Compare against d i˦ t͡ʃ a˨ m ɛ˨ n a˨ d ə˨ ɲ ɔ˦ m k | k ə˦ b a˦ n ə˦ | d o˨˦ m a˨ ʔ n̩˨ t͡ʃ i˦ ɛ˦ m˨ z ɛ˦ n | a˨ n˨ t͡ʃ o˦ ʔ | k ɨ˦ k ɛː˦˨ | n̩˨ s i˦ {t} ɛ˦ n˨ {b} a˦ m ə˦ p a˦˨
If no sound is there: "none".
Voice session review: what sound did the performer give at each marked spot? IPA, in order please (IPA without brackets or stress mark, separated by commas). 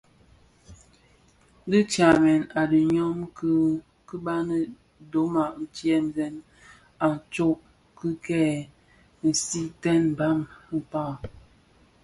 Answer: t, b